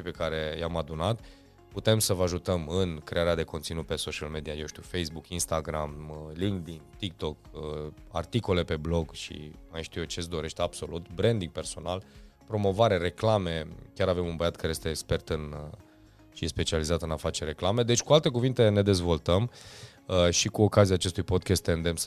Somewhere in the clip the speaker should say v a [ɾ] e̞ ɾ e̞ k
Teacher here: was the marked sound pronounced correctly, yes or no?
yes